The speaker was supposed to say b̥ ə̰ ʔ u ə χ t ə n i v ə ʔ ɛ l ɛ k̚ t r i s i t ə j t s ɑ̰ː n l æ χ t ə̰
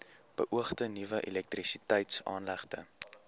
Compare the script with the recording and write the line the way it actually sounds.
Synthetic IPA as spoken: b̥ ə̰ ʔ u ə χ t ə n i v ə ʔ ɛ l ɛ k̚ t r i s i t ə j t s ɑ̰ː n l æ χ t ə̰